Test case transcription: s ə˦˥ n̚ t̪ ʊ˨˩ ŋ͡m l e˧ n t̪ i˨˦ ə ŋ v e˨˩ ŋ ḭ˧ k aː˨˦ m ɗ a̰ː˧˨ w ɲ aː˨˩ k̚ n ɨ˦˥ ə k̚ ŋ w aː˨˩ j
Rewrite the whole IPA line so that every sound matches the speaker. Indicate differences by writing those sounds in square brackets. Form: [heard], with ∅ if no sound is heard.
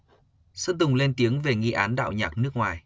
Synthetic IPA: s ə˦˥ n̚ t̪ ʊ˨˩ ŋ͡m l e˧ n t̪ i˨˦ ə ŋ v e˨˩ ŋ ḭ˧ [ʔ] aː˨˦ [n] ɗ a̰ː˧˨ w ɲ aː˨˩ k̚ n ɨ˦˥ ə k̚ ŋ w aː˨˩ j